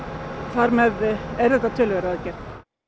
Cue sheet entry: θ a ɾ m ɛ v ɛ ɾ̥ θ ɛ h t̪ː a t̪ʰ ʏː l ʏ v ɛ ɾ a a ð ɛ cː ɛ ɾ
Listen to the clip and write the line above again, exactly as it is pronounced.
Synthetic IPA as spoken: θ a ɾ m ɛ ð ɛ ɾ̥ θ ɛ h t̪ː a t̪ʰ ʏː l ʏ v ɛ ɾ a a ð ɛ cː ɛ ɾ